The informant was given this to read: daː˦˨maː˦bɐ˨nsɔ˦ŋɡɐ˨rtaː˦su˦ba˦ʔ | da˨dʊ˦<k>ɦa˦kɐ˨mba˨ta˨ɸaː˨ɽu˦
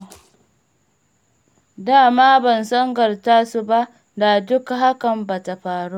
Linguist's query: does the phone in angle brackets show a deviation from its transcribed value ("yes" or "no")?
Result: no